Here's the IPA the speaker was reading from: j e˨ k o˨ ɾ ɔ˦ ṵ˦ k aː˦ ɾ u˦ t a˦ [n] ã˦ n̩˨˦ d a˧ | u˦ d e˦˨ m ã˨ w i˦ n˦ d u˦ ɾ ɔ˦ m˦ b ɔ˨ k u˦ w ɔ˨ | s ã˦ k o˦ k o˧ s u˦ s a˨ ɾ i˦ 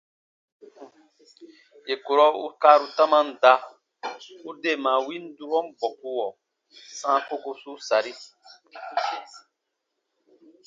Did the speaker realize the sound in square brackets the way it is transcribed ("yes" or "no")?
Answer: no